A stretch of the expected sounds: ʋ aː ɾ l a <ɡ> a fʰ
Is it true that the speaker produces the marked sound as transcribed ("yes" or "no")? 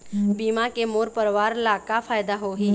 no